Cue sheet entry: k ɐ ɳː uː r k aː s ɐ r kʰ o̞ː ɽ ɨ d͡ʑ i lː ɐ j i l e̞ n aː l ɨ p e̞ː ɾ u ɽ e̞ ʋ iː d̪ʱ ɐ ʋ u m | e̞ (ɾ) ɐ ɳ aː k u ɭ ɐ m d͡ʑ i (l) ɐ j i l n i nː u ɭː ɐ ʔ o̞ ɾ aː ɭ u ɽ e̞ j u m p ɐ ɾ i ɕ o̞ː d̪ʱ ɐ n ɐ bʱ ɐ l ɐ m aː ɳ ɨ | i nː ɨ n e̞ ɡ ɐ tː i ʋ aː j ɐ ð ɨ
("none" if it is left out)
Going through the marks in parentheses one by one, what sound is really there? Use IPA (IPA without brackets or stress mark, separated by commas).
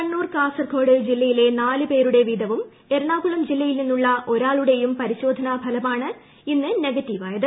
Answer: ɾ, lː